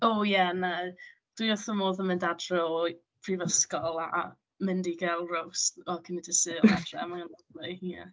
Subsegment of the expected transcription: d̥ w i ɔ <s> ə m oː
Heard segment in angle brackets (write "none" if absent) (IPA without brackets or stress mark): θ